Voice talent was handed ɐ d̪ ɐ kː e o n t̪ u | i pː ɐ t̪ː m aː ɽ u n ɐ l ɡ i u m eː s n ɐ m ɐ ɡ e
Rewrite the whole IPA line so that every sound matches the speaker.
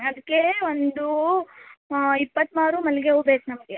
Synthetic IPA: ɐ d̪ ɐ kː e o n d̪ u | i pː ɐ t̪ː m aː ɾ u m ɐ l ɡ e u b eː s n ɐ m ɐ ɡ e